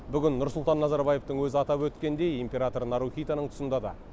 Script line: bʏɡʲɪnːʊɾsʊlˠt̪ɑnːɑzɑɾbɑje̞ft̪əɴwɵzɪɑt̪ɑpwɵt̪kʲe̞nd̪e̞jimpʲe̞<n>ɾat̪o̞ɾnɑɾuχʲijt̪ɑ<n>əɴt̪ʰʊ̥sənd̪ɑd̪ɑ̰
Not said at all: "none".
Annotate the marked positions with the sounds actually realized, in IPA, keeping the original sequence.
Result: none, n

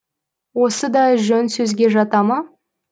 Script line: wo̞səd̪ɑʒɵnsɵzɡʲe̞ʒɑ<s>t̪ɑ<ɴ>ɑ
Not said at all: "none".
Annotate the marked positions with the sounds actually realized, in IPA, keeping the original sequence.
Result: none, m

